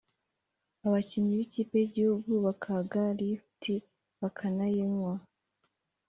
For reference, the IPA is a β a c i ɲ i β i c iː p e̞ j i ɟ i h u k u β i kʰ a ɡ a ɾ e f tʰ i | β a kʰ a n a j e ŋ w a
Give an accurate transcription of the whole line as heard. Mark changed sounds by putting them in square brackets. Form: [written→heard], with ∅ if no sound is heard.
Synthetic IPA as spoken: a β a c i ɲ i β i c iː p e̞ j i ɟ i h u [k→ɡ] u β [i→a] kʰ a ɡ a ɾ [e→i] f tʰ i | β a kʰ a n a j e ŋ w a